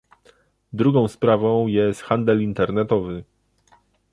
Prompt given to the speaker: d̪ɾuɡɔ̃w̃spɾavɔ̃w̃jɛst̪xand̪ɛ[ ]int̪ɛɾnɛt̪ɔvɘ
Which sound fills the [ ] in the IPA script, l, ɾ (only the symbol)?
l